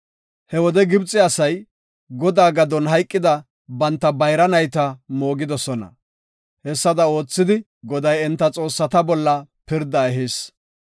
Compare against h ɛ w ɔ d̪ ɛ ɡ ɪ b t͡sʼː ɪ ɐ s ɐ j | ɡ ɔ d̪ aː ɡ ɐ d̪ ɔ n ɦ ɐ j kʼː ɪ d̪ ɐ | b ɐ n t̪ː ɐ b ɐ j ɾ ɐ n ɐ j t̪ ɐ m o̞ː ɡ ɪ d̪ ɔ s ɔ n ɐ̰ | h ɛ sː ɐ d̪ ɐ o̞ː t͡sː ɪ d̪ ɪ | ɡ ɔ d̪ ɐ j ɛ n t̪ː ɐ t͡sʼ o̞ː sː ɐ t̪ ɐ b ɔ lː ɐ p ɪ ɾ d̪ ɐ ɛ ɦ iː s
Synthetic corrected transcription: h ɛ w ɔ d̪ ɛ ɡ ɪ b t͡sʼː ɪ ɐ s ɐ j | ɡ ɔ d̪ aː ɡ ɐ d̪ ɔ n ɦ ɐ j kʼː ɪ d̪ ɐ | b ɐ n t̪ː ɐ b ɐ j ɾ ɐ n ɐ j t̪ ɐ m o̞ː ɡ ɪ d̪ ɔ s ɔ n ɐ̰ | h ɛ sː ɐ d̪ ɐ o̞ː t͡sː ɪ d̪ ɪ | ɡ ɔ d̪ ɐ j ɛ n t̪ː ɐ t͡sʼ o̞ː sː ɐ t̪ ɐ b ɔ lː ɐ p ɪ ɾ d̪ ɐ ɛ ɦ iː s